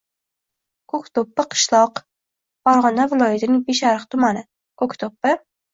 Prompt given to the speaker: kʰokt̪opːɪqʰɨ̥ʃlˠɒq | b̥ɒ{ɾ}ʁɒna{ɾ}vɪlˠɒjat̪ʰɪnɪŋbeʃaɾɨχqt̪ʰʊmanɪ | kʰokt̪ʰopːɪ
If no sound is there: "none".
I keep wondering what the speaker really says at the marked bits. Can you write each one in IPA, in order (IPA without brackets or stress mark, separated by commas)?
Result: ɾ, none